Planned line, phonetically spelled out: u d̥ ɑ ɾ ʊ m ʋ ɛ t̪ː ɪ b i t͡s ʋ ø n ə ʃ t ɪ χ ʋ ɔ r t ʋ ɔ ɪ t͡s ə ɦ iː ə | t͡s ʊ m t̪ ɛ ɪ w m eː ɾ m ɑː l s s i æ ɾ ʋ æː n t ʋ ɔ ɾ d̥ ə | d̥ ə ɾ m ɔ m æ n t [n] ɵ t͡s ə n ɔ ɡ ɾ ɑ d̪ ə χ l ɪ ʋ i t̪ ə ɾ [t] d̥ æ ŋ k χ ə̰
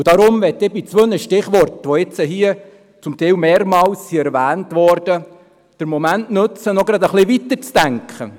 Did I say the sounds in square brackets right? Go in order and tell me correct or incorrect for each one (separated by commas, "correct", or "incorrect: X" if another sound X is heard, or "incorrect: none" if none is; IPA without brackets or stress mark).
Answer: correct, incorrect: t͡s